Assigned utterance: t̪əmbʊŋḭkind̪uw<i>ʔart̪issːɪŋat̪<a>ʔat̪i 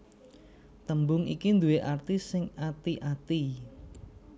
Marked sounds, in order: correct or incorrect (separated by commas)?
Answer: incorrect, incorrect